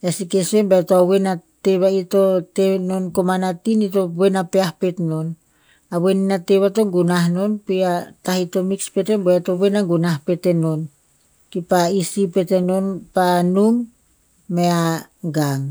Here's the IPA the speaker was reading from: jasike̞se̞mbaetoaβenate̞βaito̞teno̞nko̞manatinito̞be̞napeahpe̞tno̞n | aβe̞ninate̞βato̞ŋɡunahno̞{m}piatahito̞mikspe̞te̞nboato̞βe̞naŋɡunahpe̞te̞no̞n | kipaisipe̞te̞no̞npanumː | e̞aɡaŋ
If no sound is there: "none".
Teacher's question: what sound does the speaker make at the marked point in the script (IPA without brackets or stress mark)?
n